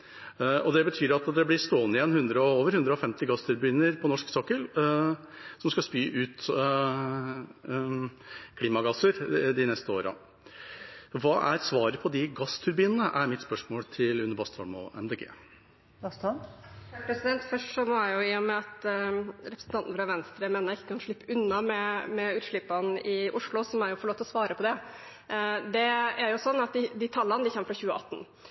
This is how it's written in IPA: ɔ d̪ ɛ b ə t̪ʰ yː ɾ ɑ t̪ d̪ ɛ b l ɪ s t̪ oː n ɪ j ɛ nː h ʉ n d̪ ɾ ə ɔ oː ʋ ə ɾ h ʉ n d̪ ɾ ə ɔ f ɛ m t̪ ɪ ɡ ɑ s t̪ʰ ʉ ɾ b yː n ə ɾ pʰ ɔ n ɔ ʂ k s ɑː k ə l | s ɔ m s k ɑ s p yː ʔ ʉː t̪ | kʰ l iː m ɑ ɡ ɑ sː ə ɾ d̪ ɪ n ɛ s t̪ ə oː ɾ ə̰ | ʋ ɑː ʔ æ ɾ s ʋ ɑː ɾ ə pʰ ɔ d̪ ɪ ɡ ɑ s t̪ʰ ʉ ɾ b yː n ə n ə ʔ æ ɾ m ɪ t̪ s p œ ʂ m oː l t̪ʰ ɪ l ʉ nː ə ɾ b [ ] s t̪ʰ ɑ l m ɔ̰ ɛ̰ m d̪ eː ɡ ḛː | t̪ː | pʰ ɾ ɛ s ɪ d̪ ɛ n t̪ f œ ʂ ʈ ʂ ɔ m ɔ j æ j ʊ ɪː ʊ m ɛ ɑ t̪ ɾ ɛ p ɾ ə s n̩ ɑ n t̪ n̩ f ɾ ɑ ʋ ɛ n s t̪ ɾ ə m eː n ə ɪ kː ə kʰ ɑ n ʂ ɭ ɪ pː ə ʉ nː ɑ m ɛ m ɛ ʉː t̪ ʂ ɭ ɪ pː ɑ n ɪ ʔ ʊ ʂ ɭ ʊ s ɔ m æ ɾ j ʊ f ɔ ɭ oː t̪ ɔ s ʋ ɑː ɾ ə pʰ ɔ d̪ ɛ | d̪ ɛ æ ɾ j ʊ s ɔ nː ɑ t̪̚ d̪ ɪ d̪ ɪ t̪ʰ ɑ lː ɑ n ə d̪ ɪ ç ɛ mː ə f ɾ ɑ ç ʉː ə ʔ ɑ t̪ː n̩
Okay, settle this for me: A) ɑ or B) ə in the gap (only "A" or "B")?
A